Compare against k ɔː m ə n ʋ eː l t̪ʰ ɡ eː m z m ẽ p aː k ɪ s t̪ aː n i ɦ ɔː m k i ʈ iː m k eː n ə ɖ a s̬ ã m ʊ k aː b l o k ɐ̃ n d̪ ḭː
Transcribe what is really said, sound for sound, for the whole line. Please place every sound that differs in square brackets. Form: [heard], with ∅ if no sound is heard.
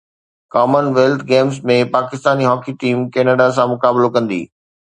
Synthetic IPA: k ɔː m ə n ʋ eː l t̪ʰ ɡ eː m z m ẽ p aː k ɪ s t̪ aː n i ɦ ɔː [∅] k i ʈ iː m k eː n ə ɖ a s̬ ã m ʊ k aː b l o k ɐ̃ n d̪ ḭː